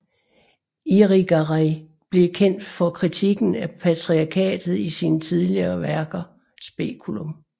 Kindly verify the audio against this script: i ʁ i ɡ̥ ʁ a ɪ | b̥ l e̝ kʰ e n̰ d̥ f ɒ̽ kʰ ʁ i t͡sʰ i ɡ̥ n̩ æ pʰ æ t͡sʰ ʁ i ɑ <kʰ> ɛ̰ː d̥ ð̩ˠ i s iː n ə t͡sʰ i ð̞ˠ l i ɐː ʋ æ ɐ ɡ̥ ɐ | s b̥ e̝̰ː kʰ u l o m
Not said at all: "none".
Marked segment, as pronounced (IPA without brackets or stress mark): kʰ